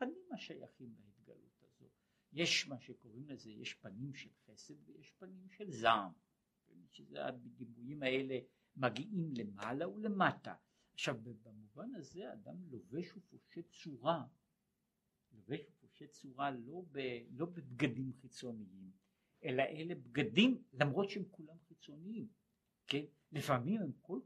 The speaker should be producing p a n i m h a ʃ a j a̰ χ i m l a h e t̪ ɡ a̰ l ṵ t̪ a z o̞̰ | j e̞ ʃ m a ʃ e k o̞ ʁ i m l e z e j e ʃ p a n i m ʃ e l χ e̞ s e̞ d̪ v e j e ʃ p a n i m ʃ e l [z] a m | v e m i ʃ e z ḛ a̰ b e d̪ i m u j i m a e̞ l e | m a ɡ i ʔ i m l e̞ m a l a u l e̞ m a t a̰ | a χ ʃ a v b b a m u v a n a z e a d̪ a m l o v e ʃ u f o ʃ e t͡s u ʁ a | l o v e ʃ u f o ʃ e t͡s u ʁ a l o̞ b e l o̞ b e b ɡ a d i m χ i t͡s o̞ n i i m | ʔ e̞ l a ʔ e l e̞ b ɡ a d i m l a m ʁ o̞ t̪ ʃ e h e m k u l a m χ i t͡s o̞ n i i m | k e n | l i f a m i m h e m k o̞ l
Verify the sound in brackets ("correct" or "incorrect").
correct